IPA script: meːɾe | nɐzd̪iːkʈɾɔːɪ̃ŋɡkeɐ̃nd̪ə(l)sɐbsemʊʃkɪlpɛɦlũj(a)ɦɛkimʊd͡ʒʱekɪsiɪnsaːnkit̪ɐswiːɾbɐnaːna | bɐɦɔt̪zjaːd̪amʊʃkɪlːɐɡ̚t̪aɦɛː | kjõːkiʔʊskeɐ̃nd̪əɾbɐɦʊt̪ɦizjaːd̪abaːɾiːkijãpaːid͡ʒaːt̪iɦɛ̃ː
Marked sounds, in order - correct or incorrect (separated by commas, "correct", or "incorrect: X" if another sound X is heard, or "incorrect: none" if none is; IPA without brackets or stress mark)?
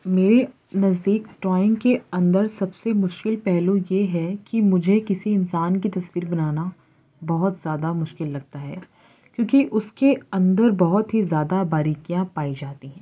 incorrect: ɾ, incorrect: e